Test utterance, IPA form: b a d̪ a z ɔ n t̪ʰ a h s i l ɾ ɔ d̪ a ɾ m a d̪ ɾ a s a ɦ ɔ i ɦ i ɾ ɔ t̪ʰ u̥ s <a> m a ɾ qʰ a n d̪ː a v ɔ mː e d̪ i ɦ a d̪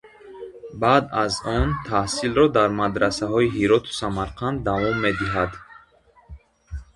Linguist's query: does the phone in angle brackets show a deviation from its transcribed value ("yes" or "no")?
no